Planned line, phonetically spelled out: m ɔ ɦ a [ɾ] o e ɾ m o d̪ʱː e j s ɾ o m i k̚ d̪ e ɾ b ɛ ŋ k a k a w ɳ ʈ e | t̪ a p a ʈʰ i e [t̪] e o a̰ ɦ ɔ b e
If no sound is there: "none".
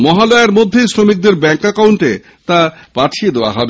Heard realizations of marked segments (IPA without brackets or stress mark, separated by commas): l, d̪